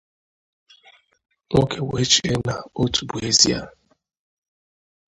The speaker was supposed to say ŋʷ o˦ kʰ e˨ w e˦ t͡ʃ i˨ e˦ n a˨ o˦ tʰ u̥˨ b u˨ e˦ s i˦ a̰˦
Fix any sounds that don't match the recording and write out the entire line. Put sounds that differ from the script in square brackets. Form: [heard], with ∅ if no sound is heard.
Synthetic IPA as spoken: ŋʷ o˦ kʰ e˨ w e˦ t͡ʃ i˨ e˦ n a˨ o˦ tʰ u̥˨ b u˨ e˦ [z] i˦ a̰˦

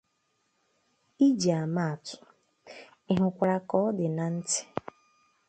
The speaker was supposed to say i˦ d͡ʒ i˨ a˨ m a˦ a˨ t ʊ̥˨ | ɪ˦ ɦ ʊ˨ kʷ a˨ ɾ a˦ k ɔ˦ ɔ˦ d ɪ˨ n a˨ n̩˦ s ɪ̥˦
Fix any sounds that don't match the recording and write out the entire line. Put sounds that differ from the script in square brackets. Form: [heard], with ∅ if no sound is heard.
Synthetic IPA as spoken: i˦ d͡ʒ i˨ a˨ m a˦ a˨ t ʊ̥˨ | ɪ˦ ɦ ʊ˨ kʷ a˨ ɾ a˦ k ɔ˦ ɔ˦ d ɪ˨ n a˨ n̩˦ [t] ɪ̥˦

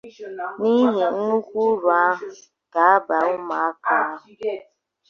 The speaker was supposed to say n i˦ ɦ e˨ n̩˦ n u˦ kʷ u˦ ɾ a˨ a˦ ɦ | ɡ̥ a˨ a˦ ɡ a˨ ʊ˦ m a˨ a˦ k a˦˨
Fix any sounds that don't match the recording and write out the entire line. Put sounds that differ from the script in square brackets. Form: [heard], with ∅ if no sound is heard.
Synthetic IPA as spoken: n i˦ ɦ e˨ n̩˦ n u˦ kʷ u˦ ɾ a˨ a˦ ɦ | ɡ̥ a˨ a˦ [b] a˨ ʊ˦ m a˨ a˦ k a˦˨

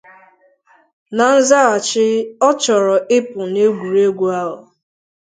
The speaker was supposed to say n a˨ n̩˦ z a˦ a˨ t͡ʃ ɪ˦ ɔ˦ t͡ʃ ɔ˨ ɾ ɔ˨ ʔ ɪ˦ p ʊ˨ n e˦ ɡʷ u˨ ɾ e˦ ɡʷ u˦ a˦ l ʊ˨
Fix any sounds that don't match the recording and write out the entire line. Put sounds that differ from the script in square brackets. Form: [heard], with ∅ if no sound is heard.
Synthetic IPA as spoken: n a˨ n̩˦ z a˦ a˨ t͡ʃ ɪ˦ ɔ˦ t͡ʃ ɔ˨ ɾ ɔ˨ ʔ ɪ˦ p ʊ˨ n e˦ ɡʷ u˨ ɾ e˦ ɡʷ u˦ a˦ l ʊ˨

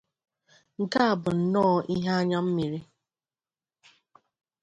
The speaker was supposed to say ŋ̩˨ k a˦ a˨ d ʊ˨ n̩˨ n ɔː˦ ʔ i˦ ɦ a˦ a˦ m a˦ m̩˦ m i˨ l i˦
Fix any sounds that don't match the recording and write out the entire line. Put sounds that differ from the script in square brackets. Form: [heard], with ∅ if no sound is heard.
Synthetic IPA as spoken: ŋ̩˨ k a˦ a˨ [b] ʊ˨ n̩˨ n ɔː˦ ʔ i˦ ɦ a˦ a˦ [ɲ] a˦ m̩˦ m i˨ [ɾ] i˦

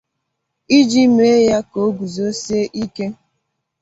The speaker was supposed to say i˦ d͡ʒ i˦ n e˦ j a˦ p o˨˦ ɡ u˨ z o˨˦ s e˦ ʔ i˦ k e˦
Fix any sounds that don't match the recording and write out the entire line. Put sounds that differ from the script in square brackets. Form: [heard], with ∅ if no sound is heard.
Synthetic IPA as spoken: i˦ d͡ʒ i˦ [m] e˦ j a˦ [k] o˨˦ ɡ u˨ z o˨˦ s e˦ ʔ i˦ k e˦

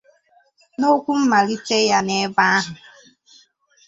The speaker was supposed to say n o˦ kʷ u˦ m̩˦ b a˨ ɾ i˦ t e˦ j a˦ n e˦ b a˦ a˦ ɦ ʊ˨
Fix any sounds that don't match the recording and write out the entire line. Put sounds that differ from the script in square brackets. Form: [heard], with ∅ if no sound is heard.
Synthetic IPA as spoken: n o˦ kʷ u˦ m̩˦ [m] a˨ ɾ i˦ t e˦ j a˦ n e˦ b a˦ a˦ ɦ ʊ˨

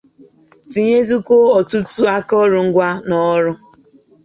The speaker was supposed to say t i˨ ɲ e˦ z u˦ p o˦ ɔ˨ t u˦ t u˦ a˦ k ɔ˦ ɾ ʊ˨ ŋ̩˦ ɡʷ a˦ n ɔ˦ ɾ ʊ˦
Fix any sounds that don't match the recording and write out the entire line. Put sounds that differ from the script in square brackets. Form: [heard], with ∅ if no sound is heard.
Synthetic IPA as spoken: t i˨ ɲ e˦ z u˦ [k] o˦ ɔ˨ t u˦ t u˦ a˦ k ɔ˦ ɾ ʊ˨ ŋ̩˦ ɡʷ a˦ n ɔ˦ ɾ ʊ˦

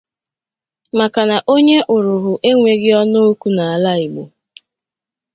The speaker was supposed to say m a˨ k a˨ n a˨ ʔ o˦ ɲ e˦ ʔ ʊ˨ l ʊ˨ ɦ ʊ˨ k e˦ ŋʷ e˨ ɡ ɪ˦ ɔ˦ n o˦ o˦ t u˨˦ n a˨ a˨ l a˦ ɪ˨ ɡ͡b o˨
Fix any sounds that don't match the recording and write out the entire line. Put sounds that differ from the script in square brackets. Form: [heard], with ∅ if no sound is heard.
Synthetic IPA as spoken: m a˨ k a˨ n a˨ ʔ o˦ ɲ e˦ ʔ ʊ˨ [ɾ] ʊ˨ ɦ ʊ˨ [ʔ] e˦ ŋʷ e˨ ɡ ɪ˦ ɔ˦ n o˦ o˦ [k] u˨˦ n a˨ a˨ l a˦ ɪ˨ ɡ͡b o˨

